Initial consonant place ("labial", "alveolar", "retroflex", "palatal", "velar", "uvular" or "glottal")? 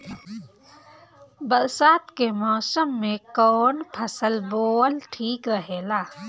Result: labial